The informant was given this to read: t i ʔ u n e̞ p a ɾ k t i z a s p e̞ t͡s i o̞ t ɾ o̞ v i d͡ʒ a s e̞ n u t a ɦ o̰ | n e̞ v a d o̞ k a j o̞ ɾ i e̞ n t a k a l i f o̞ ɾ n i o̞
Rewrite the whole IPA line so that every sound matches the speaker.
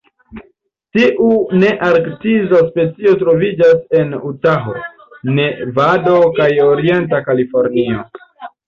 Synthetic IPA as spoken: t i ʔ u n e̞ ʔ a ɾ k t i z a s p e̞ t͡s i o̞ t ɾ o̞ v i d͡ʒ a s e̞ n u t a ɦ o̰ | n e̞ v a d o̞ k a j o̞ ɾ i e̞ n t a k a l i f o̞ ɾ n i o̞